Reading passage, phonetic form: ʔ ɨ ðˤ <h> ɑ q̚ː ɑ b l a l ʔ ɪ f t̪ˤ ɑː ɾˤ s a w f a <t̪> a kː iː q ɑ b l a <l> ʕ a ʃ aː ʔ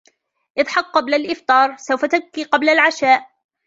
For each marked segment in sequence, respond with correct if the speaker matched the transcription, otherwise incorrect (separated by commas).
incorrect, correct, correct